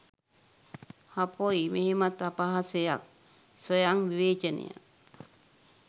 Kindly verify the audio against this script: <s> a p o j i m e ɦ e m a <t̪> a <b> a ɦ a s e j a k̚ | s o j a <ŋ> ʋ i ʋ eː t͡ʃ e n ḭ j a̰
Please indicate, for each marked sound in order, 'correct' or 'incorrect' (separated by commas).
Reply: incorrect, correct, incorrect, correct